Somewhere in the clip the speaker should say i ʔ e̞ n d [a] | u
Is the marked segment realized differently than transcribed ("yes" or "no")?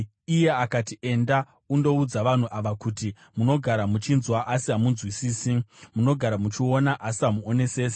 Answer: no